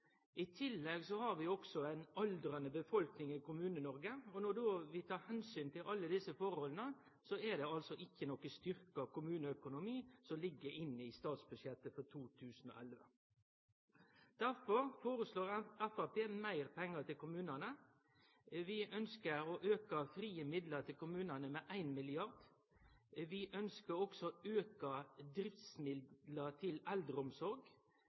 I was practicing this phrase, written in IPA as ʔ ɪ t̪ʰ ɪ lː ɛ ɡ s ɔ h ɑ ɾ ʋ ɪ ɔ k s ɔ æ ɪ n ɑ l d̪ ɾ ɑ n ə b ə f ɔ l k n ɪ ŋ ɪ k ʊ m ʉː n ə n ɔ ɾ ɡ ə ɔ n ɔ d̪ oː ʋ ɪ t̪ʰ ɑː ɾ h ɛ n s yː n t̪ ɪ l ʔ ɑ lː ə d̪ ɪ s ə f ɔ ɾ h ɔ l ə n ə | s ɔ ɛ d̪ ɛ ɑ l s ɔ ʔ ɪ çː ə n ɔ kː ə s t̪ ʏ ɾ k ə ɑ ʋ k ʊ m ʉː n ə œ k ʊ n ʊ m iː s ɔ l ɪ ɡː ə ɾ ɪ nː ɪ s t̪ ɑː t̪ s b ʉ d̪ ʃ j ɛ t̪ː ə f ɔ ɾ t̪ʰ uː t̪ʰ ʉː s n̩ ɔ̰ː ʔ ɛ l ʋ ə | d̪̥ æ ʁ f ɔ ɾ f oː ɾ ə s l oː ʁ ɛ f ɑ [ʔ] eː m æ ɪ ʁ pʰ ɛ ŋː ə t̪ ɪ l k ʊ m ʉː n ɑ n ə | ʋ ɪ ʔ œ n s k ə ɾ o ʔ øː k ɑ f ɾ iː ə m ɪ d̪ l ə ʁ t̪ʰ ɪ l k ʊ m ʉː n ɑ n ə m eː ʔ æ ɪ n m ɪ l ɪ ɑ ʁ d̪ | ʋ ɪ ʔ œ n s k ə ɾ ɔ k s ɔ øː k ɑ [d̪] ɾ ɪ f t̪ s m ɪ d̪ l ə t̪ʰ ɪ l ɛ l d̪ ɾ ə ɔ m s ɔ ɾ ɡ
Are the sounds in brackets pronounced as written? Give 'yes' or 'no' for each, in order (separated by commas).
no, yes